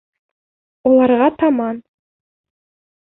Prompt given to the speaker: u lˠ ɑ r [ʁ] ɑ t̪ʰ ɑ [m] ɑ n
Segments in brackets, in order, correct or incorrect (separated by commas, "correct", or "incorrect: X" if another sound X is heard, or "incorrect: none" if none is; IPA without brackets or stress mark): correct, correct